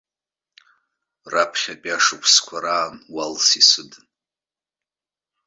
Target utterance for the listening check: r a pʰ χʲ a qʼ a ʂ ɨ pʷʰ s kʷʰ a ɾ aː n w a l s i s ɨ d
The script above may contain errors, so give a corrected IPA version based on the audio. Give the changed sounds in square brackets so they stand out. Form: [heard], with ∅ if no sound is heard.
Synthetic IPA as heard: r a pʰ χʲ a [pʼ] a ʂ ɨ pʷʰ s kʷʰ a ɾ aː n w a l s i s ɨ d